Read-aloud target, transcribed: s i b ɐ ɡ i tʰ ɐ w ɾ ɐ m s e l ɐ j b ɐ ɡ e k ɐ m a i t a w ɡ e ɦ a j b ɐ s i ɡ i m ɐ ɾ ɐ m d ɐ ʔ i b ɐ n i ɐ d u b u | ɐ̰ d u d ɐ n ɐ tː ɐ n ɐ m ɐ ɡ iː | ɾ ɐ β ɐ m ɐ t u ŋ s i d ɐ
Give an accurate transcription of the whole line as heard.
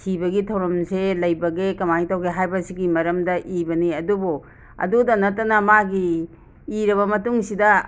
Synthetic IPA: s i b ɐ ɡ i tʰ ɐ w ɾ ɐ m s e l ɐ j b ɐ ɡ e k ɐ m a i t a w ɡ e ɦ a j b ɐ s i ɡ i m ɐ ɾ ɐ m d ɐ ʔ i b ɐ n i ɐ d u b u | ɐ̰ d u d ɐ n ɐ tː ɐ n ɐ m a ɡ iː | ɾ ɐ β ɐ m ɐ t u ŋ s i d ɐ

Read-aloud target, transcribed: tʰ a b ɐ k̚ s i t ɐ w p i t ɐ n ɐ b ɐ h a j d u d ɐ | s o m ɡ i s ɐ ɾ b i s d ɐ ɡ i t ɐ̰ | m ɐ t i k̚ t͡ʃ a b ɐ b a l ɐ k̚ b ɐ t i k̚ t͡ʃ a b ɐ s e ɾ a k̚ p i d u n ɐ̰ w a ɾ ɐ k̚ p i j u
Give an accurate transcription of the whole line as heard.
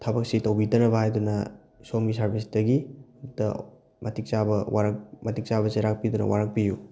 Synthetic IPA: tʰ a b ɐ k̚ s i t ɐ w b i t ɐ n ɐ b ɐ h a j d u n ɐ | s o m ɡ i s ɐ ɾ b i s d ɐ ɡ i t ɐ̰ | m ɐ t i k̚ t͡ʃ a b ɐ w a ɾ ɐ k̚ m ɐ t i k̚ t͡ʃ a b ɐ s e ɾ a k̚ p i d u n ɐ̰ w a ɾ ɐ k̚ p i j u

